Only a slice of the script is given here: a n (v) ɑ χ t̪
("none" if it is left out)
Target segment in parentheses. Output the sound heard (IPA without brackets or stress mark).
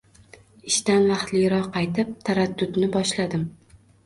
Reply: v